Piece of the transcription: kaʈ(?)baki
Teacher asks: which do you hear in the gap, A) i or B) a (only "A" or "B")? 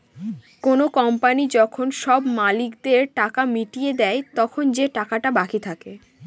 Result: B